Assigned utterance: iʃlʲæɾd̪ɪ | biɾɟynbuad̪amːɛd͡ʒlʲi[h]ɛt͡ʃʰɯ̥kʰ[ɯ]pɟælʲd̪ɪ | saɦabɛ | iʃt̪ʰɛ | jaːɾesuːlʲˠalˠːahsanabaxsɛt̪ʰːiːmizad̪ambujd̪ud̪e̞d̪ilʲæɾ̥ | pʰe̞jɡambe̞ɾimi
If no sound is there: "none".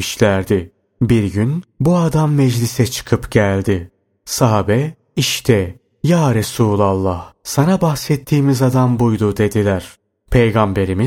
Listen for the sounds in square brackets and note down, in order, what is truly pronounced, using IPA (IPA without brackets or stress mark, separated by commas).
s, ɯ